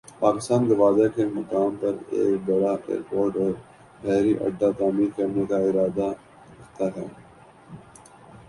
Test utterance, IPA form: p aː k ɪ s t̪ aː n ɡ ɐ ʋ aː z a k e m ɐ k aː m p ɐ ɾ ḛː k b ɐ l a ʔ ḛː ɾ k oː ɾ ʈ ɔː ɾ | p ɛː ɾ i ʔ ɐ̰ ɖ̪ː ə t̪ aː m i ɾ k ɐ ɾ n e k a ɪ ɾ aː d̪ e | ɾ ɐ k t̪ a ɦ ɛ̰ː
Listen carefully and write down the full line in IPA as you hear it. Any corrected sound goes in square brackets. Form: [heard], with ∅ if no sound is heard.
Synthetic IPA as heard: p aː k ɪ s t̪ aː n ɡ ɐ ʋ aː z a k e m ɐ k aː m p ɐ ɾ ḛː k b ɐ [ɽ] a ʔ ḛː ɾ [p] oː ɾ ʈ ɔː ɾ | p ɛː ɾ i ʔ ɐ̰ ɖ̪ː [a] t̪ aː m i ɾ k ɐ ɾ n e k a ɪ ɾ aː d̪ [a] | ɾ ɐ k t̪ a ɦ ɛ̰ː